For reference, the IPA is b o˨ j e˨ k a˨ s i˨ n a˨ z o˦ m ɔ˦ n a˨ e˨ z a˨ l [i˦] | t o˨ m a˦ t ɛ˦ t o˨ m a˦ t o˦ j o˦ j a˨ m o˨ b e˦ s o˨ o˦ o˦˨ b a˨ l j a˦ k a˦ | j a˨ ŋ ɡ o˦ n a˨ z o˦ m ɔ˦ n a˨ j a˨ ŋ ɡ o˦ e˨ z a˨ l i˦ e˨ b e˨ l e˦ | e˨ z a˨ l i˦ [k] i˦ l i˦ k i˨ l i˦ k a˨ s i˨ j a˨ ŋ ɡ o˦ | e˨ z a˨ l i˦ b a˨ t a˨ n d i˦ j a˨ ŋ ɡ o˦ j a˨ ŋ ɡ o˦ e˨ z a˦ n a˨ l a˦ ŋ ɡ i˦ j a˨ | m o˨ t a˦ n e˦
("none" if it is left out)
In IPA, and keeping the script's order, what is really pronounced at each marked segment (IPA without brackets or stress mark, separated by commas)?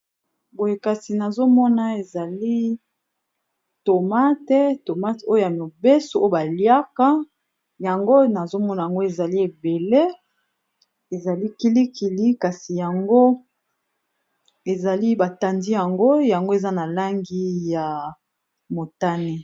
i˦, k